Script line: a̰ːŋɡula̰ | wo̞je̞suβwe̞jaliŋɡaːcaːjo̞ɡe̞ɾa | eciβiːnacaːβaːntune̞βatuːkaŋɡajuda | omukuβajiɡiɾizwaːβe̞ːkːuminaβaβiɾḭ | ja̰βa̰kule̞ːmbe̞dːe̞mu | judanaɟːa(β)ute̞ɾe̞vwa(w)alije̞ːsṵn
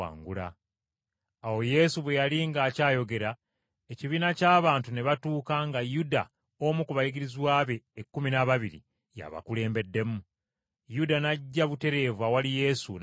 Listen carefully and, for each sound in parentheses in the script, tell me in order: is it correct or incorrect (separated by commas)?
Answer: correct, correct